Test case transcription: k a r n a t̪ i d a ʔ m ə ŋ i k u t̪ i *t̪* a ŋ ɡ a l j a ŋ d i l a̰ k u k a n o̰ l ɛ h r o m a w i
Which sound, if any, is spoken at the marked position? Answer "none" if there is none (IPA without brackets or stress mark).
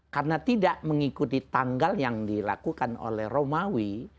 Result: t̪